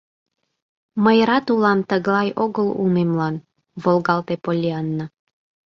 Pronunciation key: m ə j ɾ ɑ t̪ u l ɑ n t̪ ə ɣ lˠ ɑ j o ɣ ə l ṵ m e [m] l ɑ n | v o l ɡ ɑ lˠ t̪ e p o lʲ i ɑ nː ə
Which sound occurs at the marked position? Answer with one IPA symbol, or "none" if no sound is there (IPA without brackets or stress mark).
m